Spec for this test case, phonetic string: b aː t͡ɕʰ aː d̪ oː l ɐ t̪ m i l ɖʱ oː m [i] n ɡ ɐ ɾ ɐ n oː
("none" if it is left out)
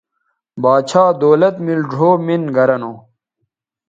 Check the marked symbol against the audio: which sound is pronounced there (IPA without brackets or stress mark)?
i